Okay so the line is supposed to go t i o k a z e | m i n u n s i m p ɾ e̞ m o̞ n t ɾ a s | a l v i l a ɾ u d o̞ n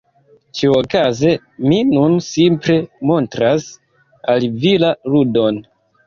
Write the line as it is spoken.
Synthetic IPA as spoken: t͡ʃ i o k a z e | m i n u n s i m p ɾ e̞ m o̞ n t ɾ a s | a l v i l a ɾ u d o̞ n